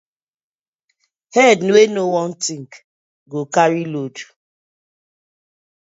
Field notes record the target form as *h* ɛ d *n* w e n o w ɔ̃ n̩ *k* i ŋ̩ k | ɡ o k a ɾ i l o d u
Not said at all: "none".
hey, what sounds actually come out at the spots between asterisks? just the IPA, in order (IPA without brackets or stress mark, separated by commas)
h, n, t